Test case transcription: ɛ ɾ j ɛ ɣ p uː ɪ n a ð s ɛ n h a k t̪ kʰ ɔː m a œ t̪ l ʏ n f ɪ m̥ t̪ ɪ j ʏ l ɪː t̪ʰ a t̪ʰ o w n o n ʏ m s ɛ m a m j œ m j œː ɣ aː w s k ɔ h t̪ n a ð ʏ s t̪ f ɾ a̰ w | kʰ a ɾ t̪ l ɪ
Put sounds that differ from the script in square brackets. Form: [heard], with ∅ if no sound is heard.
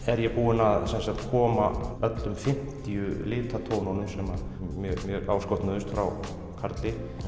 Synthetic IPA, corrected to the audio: ɛ ɾ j ɛ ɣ p uː ɪ n a ð s ɛ n [s] a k t̪ kʰ ɔː m a œ t̪ l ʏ [m] f ɪ m̥ t̪ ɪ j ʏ l ɪː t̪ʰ a t̪ʰ o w n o n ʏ m s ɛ m a m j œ m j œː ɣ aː w s k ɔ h t̪ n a ð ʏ s t̪ f ɾ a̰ w | kʰ a ɾ t̪ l ɪ